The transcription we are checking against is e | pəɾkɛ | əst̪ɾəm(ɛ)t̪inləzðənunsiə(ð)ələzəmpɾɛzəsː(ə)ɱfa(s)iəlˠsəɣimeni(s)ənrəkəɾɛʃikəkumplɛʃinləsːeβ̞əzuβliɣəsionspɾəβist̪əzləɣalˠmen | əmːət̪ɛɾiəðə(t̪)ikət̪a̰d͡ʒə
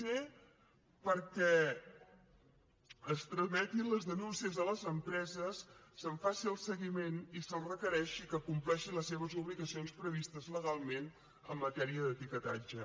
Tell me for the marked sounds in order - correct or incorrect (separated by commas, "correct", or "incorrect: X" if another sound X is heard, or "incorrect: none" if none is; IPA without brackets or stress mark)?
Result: correct, incorrect: z, correct, correct, correct, correct